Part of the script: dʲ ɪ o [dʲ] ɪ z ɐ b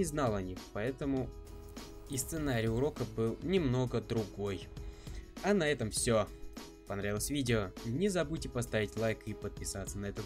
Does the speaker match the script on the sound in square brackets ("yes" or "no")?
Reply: no